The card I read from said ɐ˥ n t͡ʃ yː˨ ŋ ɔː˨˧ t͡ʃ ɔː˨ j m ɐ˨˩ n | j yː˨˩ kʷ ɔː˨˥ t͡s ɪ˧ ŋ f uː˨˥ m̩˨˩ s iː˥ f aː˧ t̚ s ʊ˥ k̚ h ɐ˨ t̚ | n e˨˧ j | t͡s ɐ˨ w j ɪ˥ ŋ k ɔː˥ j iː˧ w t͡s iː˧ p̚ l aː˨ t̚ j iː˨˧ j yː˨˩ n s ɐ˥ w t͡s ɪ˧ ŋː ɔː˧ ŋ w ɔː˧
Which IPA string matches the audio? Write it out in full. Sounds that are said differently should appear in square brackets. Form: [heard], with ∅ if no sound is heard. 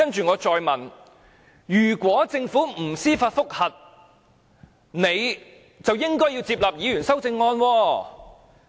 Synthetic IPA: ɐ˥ n t͡ʃ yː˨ ŋ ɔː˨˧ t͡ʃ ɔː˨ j m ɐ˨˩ n | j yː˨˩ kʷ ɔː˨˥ t͡s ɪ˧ ŋ f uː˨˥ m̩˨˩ s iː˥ f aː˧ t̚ [f] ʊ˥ k̚ h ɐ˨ t̚ | n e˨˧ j | t͡s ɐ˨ w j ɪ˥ ŋ k ɔː˥ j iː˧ w t͡s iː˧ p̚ l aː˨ [p̚] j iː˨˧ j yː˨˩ n s ɐ˥ w t͡s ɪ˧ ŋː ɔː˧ [n] w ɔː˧